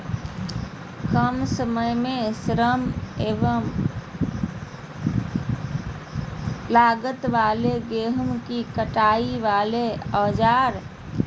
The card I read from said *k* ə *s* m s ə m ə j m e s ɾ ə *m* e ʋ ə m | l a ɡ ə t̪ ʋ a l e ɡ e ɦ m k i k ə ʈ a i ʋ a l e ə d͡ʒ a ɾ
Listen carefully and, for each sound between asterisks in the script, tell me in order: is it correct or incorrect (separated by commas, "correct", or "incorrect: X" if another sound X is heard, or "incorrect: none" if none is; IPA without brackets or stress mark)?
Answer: correct, incorrect: none, correct